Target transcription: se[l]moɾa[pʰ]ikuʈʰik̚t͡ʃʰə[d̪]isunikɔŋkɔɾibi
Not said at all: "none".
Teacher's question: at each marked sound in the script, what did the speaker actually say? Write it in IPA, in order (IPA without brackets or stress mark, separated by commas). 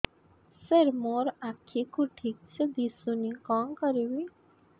ɾ, kʰ, d̪